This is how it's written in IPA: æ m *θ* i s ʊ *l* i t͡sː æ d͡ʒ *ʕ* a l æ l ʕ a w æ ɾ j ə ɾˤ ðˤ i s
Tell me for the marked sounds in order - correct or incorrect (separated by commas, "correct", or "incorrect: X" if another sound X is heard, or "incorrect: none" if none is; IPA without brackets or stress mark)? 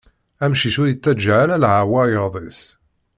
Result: incorrect: ʃ, incorrect: ɾ, correct